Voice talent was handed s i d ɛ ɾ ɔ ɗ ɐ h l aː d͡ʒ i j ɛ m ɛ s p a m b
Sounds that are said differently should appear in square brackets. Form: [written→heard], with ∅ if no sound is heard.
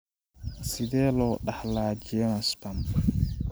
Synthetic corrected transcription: s i d ɛ [ɾ→l] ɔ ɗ [ɐ→a] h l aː d͡ʒ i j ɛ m [ɛ→a] s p a m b